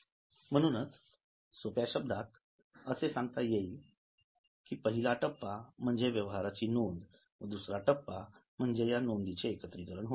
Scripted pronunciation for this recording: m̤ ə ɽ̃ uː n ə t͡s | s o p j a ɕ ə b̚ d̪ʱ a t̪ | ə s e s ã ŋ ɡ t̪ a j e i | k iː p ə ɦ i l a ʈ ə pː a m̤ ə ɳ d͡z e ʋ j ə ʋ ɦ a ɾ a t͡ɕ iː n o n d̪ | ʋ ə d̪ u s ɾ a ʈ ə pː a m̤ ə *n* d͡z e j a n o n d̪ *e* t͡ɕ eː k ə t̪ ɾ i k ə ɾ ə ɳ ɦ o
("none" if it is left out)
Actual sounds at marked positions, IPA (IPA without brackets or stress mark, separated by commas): ɳ, i